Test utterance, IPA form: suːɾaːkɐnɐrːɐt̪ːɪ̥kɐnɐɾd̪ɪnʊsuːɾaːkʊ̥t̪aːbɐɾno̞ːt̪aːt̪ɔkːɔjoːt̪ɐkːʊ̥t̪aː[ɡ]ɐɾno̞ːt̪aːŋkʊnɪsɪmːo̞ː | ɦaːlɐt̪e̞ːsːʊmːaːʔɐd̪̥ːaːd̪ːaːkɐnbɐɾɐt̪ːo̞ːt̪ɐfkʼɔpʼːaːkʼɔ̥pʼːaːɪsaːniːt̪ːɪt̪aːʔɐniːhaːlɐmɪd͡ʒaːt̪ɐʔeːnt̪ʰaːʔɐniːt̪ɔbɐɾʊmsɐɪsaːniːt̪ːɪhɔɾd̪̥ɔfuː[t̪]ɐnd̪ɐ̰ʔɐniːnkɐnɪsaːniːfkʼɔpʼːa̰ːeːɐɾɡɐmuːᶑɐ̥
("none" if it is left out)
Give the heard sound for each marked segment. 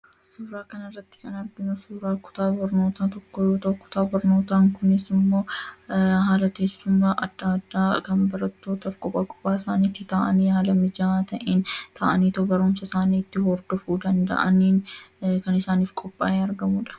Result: b, d̪

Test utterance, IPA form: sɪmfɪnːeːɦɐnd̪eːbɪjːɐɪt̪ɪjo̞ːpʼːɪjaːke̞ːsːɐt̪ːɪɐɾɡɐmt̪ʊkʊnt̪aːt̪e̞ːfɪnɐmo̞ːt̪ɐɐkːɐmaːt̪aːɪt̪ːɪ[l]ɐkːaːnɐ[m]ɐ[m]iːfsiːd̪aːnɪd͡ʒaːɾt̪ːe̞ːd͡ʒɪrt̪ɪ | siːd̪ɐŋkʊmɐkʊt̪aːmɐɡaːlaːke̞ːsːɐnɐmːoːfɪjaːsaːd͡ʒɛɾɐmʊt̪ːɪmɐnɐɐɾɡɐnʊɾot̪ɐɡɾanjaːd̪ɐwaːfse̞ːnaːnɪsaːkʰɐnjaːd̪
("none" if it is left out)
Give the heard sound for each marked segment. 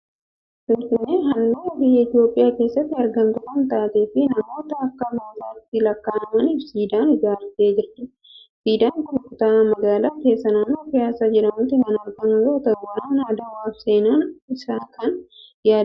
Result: l, m, n

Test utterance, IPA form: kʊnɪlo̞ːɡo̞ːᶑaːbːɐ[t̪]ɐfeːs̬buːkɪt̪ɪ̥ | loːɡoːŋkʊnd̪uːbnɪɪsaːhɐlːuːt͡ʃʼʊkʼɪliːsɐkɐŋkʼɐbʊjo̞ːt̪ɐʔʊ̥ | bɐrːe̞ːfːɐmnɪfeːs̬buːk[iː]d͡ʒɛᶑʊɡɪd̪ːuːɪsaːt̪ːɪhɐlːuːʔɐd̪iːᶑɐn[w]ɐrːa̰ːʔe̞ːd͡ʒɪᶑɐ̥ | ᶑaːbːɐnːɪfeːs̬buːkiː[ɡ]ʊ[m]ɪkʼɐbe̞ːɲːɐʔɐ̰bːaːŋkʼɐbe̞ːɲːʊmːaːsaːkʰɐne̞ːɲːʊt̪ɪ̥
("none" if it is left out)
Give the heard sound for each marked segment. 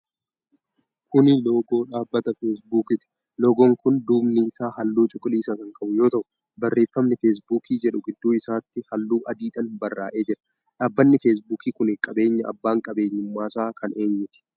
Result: t̪, iː, b, k, n

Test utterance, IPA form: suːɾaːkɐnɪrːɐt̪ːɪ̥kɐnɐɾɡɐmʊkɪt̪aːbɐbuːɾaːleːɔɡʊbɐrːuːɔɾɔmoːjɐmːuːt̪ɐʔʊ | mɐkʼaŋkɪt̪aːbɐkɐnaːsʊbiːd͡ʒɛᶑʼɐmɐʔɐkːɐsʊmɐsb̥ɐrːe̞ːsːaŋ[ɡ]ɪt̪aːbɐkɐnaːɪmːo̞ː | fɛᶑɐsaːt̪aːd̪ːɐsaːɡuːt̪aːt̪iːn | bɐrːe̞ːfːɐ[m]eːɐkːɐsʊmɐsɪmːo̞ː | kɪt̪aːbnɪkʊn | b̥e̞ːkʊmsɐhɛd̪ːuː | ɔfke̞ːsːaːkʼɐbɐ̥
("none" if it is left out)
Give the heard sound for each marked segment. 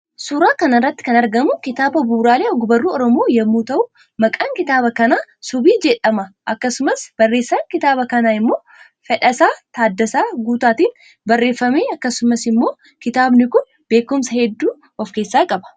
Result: k, m

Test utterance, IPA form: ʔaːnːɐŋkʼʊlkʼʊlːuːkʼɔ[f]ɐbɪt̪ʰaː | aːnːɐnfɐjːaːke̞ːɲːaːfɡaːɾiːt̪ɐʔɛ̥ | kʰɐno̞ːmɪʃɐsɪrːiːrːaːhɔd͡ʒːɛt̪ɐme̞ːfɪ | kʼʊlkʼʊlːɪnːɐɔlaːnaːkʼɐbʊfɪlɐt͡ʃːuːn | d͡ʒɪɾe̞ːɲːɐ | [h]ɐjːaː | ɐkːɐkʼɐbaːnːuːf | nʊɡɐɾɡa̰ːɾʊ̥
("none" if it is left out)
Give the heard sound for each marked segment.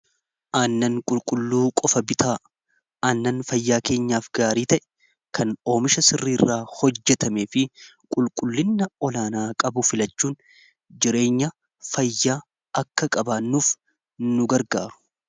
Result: f, f

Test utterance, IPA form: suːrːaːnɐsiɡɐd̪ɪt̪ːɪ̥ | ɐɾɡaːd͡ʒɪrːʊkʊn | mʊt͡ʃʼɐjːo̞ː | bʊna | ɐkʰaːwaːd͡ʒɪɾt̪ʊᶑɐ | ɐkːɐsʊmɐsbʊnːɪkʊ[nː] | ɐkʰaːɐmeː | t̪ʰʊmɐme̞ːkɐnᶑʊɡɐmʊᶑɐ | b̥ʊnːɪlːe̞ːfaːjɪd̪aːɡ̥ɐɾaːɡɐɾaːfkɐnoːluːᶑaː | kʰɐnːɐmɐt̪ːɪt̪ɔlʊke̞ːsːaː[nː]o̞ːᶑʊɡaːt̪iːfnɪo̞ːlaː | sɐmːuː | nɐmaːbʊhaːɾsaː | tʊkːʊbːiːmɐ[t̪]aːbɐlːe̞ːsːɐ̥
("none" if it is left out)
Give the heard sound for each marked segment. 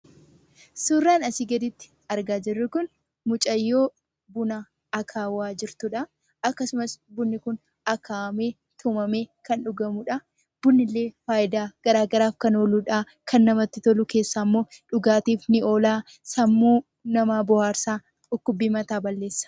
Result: n, mː, t̪

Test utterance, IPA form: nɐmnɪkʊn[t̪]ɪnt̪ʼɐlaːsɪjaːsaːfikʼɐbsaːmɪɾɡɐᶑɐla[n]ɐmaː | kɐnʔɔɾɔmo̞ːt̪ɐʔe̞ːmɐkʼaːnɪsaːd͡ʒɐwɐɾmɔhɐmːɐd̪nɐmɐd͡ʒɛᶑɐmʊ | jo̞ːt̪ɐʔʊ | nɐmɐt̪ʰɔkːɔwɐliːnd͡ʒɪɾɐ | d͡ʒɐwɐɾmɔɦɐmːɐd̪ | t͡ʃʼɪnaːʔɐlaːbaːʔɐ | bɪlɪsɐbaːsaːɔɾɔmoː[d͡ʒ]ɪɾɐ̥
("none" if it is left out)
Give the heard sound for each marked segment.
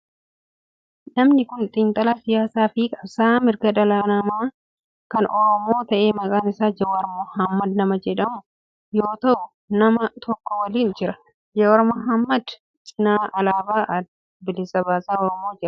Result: t̪ʼ, n, d͡ʒ

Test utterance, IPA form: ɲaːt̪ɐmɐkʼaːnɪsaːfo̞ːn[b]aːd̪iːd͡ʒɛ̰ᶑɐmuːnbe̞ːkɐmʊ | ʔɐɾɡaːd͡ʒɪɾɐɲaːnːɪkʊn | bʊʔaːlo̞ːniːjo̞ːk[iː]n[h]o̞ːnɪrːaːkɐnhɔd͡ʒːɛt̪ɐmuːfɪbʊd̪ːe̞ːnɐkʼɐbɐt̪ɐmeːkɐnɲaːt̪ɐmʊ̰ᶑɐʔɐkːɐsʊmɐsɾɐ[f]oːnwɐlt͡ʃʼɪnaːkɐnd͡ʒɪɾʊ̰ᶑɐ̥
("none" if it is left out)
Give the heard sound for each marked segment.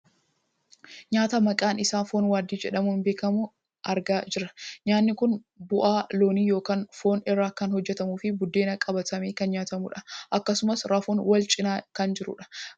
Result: w, aː, f, f

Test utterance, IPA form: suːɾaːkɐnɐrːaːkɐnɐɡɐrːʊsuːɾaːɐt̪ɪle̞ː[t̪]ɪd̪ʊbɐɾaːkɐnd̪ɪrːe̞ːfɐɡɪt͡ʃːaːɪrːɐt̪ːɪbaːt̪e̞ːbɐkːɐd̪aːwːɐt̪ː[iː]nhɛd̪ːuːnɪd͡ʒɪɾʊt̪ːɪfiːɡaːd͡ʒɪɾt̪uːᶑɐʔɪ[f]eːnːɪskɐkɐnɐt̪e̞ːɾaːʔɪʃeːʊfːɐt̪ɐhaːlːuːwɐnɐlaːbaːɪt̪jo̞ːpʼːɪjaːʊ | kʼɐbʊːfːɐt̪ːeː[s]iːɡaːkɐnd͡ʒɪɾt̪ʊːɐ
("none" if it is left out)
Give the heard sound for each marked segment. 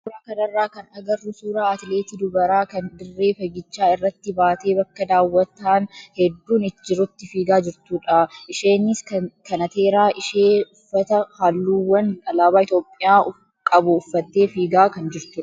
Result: t̪, aː, ʃ, f

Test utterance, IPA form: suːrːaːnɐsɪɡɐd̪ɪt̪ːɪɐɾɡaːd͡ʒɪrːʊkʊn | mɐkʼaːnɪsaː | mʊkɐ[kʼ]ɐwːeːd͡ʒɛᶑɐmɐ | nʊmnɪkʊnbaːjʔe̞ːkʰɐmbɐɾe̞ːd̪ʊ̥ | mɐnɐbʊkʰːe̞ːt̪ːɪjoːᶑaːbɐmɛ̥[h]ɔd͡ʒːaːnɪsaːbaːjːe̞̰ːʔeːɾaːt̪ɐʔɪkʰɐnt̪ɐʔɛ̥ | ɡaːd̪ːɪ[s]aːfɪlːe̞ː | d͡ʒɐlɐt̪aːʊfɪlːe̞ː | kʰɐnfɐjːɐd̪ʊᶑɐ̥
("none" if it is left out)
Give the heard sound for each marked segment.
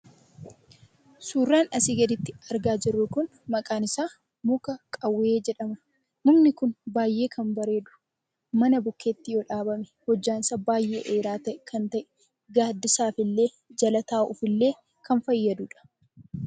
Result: kʼ, h, s

